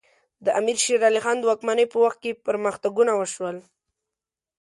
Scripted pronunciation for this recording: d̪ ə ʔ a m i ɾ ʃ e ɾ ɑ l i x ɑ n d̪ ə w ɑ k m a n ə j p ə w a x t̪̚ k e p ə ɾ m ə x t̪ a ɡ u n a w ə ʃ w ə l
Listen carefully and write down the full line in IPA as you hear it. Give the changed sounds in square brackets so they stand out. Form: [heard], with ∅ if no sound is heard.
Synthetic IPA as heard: d̪ ə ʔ a m i ɾ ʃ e ɾ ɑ l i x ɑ n d̪ ə w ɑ k m a n ə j p ə w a x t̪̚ k e p ə ɾ m ə x t̪ a ɡ u n a w ə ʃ w ə l

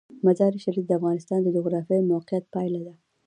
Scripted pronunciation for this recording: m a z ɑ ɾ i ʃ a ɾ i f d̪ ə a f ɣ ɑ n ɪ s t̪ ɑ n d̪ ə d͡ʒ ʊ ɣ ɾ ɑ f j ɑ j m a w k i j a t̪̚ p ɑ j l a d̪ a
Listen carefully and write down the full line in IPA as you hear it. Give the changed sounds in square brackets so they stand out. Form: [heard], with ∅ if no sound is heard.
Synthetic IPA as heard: m a z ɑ ɾ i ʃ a ɾ i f d̪ ə a f ɣ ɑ n ɪ s t̪ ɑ n d̪ ə d͡ʒ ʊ ɣ ɾ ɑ f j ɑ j m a w [q] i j a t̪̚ p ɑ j l a d̪ a

